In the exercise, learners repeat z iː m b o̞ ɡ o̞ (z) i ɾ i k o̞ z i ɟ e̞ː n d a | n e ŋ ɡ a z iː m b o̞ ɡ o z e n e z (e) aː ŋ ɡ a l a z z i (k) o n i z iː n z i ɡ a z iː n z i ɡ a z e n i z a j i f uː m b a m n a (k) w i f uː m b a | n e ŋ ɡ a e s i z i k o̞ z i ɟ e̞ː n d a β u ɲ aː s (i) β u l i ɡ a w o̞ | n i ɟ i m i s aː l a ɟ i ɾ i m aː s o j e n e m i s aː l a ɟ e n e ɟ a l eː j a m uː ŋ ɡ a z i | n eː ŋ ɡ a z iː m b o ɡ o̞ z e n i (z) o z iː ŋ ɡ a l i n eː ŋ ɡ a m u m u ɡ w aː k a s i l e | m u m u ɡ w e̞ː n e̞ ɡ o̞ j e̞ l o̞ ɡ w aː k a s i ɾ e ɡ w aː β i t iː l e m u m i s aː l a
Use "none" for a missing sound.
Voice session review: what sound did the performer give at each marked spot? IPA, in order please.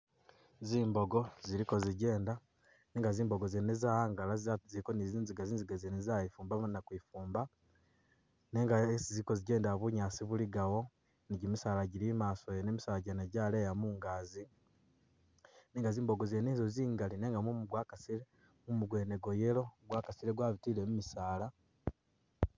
z, a, k, k, i, z

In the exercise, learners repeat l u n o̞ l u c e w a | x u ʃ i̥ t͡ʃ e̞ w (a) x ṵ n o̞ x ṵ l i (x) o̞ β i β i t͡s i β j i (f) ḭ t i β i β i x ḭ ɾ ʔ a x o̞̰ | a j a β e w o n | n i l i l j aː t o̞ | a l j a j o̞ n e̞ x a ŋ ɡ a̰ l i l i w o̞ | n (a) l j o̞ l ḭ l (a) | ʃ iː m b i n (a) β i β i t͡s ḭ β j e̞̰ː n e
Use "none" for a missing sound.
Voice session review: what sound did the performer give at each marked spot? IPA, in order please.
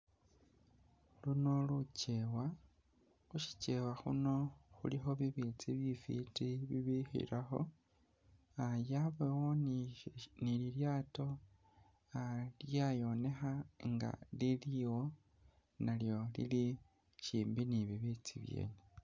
a, x, f, a, i, i

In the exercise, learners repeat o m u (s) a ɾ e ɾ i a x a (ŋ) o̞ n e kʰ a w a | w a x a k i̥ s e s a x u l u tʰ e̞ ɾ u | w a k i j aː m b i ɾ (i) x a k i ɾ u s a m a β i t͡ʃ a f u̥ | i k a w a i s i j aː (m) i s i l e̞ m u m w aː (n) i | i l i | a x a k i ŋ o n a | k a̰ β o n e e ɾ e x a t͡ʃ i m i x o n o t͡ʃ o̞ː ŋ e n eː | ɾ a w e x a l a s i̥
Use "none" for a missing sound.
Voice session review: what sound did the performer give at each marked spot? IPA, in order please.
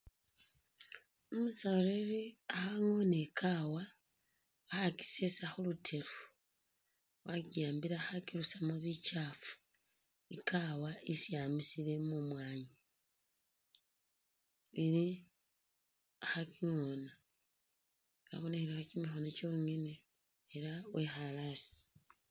s, ŋ, a, m, ɲ

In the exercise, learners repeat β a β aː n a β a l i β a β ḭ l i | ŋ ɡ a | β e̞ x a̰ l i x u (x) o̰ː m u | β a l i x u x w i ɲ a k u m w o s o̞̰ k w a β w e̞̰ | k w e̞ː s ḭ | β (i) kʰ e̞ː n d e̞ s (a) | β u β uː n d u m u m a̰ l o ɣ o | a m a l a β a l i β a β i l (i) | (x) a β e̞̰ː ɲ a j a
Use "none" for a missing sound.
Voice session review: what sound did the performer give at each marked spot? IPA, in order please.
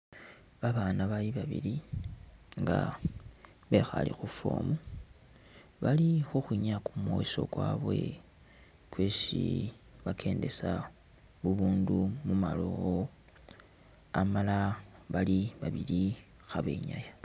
f, a, a, i, x

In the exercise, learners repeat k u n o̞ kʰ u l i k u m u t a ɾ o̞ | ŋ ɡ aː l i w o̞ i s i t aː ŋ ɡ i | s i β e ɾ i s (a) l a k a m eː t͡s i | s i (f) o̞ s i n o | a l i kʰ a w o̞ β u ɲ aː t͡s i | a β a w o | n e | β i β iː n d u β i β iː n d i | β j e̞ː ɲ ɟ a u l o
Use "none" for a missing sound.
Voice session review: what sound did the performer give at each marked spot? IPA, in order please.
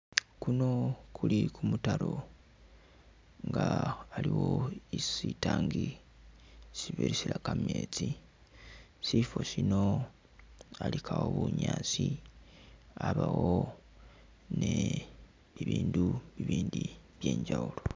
i, f

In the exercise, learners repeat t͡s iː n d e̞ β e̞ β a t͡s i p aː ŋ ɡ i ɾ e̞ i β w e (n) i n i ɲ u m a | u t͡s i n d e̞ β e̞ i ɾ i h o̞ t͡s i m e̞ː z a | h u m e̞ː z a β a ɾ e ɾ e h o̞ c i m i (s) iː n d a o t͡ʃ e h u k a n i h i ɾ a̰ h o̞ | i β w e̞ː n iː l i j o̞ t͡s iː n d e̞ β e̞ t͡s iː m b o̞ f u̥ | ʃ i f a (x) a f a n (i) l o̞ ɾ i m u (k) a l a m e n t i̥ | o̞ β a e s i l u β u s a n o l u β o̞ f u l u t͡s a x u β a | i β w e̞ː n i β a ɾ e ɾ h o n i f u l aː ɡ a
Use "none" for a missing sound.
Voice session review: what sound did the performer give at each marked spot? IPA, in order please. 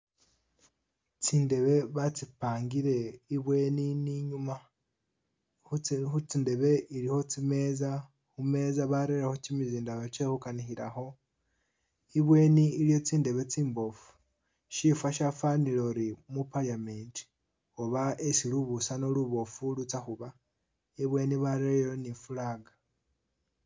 n, z, ʃ, i, p

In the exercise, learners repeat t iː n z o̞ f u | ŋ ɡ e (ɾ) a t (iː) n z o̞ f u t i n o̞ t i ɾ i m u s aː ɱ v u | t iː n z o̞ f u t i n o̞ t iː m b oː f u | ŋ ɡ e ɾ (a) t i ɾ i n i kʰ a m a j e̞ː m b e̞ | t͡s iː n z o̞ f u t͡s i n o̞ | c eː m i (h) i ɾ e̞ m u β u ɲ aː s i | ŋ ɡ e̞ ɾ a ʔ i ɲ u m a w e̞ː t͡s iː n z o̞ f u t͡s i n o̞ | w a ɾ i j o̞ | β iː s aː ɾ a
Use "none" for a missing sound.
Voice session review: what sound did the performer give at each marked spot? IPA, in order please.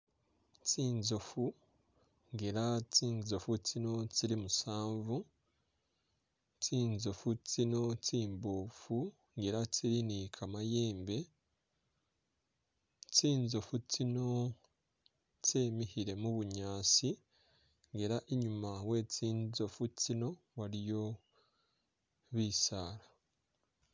ɾ, iː, a, h

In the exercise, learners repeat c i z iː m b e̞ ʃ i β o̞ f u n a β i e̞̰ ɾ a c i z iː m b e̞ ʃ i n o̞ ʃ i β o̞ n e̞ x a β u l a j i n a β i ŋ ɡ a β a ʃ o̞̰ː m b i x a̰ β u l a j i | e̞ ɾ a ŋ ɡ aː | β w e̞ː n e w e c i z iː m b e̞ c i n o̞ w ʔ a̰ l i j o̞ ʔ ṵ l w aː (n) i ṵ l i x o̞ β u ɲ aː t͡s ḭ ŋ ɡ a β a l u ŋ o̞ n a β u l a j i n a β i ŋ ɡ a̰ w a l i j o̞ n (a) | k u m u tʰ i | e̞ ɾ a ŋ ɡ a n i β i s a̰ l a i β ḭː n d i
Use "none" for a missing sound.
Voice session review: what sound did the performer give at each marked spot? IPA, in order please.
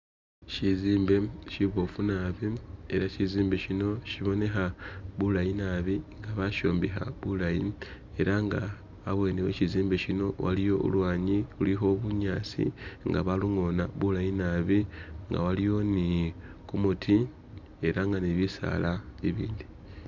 ɲ, i

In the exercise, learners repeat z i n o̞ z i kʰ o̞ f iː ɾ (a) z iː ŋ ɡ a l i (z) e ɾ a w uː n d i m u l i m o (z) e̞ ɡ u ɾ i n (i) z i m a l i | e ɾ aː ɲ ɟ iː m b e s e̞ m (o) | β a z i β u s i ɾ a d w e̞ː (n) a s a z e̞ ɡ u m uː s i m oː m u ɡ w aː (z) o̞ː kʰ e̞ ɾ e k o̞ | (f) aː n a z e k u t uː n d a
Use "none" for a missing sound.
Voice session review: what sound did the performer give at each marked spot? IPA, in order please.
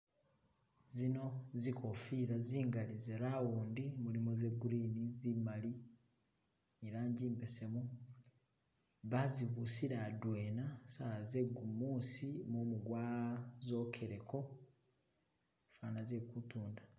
a, z, z, i, u, n, z, f

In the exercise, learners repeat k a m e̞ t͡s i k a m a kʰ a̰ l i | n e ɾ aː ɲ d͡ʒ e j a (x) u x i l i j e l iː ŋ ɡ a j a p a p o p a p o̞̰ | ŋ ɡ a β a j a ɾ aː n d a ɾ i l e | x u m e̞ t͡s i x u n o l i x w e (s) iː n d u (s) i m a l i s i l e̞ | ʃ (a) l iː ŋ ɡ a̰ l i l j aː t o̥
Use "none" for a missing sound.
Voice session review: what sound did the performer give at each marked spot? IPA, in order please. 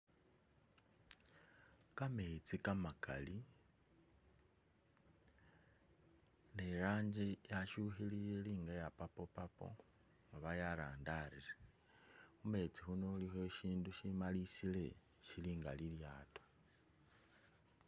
ʃ, ʃ, ʃ, i

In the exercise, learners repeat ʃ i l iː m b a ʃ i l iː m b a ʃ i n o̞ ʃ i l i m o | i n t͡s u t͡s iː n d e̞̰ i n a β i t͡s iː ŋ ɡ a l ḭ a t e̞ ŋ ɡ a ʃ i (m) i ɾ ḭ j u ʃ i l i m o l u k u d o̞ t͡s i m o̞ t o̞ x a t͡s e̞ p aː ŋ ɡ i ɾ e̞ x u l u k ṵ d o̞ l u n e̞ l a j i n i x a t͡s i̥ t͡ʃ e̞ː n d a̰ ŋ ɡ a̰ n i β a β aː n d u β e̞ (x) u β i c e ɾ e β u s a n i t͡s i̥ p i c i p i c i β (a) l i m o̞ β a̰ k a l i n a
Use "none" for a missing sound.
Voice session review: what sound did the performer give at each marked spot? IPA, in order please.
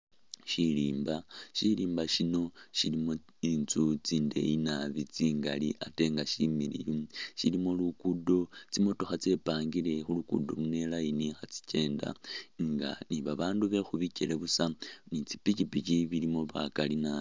m, x, i

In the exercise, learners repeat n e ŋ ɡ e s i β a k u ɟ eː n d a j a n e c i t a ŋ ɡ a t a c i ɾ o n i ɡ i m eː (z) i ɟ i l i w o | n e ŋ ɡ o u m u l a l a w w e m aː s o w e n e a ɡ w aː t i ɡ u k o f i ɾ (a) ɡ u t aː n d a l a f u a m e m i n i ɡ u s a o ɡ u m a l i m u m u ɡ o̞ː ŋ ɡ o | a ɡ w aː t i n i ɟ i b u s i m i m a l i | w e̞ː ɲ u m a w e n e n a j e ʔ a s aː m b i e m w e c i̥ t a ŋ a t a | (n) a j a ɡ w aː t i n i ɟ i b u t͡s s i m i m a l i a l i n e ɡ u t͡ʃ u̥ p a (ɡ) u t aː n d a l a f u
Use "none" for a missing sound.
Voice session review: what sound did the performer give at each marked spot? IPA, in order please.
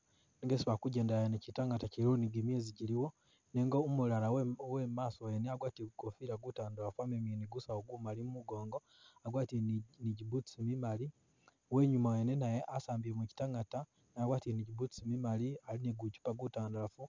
z, a, n, ɡ

